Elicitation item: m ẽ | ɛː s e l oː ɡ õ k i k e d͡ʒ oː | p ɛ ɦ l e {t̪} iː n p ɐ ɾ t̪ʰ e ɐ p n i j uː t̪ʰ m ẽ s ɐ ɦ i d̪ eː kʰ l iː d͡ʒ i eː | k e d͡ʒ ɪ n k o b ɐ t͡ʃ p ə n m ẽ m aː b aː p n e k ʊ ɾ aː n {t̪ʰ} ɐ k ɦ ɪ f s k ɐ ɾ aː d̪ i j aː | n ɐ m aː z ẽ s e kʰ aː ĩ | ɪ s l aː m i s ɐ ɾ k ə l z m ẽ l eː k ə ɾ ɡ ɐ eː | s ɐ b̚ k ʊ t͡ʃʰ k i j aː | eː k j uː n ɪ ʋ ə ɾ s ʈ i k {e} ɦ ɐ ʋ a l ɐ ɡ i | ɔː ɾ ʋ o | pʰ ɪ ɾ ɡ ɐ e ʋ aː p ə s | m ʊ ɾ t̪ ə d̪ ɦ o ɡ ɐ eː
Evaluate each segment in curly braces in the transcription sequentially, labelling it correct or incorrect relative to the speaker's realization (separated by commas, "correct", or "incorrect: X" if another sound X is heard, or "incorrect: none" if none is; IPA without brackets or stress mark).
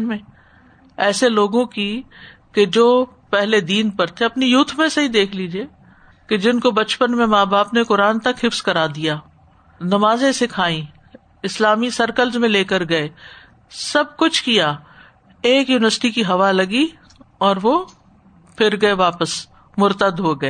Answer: incorrect: d̪, incorrect: t̪, incorrect: i